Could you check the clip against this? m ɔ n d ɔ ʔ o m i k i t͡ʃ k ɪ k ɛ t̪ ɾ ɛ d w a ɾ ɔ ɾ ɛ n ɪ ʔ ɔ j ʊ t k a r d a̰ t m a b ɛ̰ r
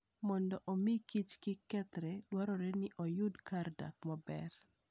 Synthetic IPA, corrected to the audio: m ɔ n d ɔ ʔ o m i k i t͡ʃ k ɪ k ɛ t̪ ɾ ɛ d w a ɾ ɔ ɾ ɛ n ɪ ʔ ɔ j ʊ d k a r d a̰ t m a b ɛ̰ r

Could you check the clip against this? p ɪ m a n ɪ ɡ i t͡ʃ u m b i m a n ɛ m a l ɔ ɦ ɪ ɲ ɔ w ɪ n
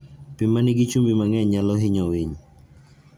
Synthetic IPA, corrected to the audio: p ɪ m a n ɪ ɡ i t͡ʃ u m b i m a ŋ ɛ ɲ a l ɔ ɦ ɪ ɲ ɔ w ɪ ɲ

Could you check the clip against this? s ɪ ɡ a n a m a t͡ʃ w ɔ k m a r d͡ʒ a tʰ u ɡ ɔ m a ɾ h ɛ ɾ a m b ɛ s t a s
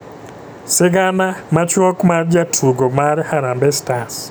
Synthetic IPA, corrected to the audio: s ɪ ɡ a n a m a t͡ʃ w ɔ k m a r d͡ʒ a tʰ u ɡ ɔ m a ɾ h a ɾ a m b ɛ s t a s

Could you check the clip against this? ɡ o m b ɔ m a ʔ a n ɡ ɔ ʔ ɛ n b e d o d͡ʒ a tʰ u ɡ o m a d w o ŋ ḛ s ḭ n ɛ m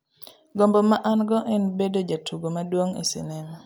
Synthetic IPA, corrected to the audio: ɡ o m b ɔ m a ʔ a n ɡ ɔ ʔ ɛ n b e d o d͡ʒ a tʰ u ɡ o m a d w o ŋ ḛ s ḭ n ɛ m

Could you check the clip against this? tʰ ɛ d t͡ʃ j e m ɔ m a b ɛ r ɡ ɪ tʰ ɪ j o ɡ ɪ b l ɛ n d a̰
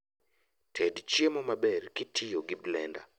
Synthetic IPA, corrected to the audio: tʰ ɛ d t͡ʃ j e m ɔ m a b ɛ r k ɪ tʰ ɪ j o ɡ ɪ b l ɛ n d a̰

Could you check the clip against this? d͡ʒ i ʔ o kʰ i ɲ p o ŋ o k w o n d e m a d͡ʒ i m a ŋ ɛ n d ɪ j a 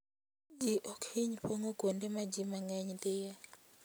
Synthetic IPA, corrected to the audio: d͡ʒ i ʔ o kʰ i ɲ p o ŋ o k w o n d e m a d͡ʒ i m a ŋ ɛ ɲ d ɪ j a

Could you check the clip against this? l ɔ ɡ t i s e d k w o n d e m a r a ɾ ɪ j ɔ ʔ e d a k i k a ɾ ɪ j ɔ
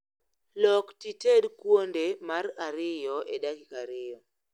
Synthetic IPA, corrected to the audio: l ɔ k t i t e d k w o n d e m a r a ɾ ɪ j ɔ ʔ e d a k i k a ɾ ɪ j ɔ

